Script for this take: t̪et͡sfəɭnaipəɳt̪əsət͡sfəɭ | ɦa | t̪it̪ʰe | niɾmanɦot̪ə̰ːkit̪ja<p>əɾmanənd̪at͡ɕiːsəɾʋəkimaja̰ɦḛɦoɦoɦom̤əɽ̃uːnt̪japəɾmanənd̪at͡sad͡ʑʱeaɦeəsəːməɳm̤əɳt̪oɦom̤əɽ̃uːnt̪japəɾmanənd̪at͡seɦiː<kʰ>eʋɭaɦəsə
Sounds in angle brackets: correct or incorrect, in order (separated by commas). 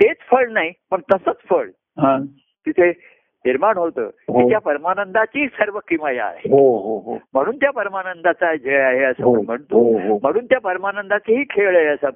correct, correct